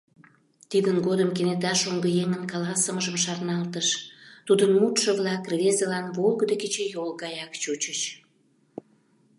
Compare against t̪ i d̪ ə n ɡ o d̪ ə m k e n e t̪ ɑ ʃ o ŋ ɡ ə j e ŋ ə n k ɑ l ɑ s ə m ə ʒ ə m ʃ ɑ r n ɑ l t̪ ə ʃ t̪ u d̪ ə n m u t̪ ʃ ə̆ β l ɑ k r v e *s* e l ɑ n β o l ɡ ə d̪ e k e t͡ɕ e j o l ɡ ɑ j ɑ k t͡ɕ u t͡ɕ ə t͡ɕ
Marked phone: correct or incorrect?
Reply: incorrect